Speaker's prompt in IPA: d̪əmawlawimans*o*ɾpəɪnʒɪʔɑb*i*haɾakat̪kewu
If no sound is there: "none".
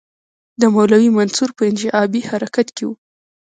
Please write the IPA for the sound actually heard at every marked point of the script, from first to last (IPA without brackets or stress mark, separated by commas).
u, i